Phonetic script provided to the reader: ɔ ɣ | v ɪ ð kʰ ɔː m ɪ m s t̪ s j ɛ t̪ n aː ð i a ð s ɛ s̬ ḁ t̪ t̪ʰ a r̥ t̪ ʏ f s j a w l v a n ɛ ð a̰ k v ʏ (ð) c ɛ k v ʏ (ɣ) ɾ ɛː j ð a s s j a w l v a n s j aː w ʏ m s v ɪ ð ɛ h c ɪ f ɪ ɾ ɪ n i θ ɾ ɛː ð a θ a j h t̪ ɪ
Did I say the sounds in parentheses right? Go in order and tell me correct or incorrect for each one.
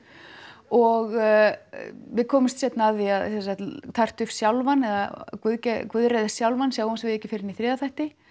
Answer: correct, incorrect: ð

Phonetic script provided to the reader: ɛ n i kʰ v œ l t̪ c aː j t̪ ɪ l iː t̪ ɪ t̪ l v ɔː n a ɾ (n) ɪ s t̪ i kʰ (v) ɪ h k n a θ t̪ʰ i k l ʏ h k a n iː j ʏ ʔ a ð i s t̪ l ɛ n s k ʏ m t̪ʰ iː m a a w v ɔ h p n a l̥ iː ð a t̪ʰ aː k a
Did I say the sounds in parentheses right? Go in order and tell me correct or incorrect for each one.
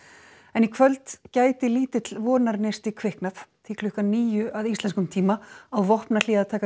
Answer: correct, correct

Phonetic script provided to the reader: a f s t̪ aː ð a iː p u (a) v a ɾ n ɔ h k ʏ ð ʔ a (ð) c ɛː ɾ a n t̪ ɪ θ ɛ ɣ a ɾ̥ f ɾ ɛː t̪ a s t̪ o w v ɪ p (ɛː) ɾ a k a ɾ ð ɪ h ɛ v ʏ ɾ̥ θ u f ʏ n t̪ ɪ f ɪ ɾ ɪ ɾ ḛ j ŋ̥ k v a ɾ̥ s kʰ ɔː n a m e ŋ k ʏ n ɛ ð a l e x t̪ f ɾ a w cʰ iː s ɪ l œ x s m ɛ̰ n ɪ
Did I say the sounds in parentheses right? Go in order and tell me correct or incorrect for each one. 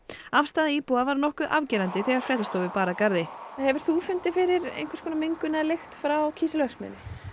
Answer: correct, incorrect: v, incorrect: aː

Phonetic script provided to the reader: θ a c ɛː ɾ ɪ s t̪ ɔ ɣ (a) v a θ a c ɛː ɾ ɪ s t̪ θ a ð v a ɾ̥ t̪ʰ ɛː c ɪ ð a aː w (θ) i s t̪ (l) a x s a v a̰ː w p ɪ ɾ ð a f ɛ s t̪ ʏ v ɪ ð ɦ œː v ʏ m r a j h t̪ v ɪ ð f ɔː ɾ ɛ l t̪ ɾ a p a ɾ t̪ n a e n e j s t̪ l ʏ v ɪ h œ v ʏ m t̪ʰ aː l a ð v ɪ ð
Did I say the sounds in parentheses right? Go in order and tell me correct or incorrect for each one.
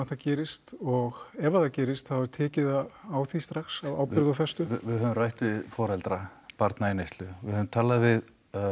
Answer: incorrect: ɛ, correct, incorrect: ɾ

